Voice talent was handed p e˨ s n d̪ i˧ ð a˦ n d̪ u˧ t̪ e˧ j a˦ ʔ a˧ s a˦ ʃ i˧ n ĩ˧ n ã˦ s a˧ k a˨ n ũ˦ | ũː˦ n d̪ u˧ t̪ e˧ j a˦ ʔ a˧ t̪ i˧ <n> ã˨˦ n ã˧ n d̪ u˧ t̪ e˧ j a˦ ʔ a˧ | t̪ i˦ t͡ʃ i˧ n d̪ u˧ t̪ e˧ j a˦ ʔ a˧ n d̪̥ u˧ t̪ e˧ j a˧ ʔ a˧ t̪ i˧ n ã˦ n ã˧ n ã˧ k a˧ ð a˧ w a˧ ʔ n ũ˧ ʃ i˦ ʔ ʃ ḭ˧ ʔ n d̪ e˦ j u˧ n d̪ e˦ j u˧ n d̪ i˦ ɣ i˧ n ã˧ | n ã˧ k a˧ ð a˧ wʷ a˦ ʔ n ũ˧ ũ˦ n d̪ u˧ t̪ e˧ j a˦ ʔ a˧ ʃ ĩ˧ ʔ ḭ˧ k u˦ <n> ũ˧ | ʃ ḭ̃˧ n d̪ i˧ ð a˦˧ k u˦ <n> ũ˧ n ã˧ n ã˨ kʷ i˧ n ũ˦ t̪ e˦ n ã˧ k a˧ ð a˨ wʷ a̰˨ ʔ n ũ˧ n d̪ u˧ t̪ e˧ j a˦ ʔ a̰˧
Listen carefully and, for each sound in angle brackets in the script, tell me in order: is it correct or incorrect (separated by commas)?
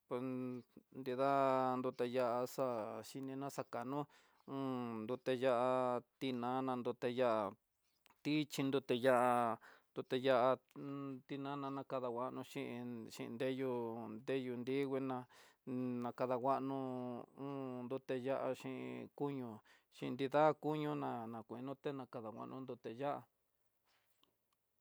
correct, incorrect, incorrect